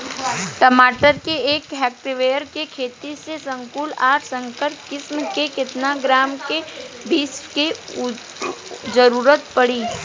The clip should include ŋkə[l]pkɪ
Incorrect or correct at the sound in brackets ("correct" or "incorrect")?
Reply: incorrect